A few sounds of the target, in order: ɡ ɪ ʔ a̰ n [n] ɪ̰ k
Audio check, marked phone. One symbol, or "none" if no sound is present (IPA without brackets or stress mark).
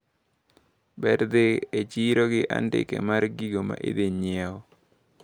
d